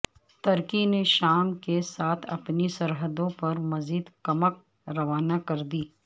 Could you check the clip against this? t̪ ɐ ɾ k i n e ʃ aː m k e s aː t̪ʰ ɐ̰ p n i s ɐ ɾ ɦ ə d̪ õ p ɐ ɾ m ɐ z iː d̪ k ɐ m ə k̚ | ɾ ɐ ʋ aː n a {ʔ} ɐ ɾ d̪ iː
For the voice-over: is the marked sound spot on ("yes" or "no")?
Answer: no